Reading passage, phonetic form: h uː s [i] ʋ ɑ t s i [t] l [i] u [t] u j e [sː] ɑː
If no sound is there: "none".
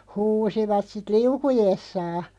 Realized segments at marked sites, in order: i, t, i, k, sː

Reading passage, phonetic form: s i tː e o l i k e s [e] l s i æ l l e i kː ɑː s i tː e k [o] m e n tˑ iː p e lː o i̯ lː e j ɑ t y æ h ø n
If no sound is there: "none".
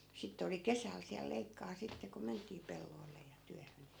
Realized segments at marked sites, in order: æ, o

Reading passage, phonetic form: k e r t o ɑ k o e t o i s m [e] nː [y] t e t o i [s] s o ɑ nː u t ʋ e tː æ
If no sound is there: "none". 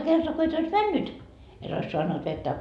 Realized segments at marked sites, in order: æ, y, s

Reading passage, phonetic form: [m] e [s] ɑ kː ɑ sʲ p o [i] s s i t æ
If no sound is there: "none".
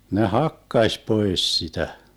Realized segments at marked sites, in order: n, h, e

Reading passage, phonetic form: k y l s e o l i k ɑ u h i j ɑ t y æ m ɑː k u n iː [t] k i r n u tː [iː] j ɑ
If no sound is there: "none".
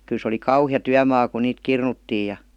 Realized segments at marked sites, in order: t, iː

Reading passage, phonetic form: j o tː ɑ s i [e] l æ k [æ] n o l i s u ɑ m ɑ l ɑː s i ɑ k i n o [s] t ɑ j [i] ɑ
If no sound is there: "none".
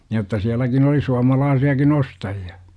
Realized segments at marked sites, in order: æ, i, s, i

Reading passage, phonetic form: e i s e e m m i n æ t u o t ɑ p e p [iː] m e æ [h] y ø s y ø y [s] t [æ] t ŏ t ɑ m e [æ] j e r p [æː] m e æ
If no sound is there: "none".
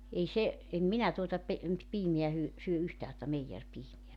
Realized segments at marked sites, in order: iː, h, h, æː, i, iː

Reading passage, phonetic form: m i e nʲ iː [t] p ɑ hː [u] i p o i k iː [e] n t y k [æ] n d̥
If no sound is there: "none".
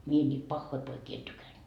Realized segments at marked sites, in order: t, o, e, æ

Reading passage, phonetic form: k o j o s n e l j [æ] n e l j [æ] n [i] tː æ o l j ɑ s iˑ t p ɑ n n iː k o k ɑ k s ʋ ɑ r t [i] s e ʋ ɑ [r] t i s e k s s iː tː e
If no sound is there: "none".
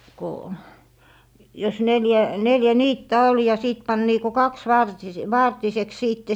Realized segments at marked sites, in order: æ, æ, iː, i, r

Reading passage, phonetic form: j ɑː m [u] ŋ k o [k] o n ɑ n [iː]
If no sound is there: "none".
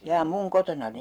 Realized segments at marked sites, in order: u, t, i

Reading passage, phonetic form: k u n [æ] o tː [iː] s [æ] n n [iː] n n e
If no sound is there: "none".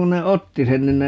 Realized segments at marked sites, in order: e, i, e, i

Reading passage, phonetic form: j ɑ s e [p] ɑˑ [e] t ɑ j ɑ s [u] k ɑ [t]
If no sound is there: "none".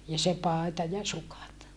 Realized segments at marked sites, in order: p, e, u, t

